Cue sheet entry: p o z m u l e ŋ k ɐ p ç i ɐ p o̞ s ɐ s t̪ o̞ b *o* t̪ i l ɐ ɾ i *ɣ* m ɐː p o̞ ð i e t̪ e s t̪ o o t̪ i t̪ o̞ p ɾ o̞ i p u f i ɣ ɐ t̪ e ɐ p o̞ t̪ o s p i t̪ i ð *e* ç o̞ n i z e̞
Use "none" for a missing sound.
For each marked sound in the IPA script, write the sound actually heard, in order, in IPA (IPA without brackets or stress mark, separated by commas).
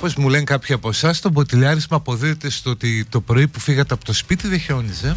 o, z, e